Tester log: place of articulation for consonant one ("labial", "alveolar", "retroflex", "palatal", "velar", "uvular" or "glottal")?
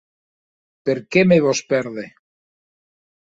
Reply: labial